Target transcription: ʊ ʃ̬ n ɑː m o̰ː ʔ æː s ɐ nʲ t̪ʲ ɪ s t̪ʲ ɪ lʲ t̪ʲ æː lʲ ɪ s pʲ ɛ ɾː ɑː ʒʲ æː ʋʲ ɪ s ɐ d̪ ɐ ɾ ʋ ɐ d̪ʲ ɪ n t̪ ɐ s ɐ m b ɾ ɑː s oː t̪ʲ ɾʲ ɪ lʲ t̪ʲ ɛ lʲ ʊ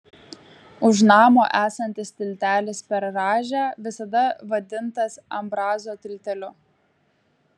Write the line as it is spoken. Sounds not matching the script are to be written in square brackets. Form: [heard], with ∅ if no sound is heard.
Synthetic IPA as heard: ʊ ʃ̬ n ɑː m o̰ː ʔ æː s ɐ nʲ t̪ʲ ɪ s t̪ʲ ɪ lʲ t̪ʲ æː lʲ ɪ s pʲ ɛ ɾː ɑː ʒʲ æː ʋʲ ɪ s ɐ d̪ ɐ [∅] ʋ ɐ d̪ʲ ɪ n t̪ ɐ s ɐ m b ɾ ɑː [z] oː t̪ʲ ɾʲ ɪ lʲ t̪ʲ ɛ lʲ ʊ